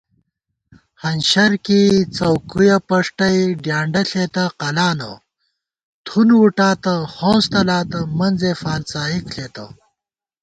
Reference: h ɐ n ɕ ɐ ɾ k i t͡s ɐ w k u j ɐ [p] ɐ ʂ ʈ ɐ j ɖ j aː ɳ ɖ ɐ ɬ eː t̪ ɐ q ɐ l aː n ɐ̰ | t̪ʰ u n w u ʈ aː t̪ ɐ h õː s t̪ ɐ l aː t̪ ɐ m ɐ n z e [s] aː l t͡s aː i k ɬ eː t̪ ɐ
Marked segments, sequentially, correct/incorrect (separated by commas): correct, incorrect